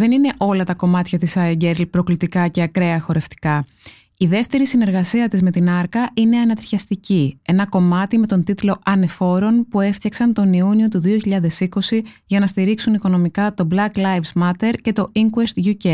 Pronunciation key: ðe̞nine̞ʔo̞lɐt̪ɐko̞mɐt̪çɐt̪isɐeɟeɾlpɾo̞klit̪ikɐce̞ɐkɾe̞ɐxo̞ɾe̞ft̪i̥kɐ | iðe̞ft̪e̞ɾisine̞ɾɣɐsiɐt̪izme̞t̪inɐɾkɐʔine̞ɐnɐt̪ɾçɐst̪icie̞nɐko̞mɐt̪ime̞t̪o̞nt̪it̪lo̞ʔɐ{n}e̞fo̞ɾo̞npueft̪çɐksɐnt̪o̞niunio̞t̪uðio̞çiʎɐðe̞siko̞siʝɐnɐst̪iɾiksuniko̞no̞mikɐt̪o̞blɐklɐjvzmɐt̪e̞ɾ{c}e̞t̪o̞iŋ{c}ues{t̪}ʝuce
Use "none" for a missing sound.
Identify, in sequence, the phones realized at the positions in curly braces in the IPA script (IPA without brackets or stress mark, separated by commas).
n, c, k, t̪